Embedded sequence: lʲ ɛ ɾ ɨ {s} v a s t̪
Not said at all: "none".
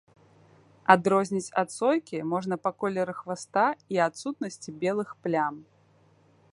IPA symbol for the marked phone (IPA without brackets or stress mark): x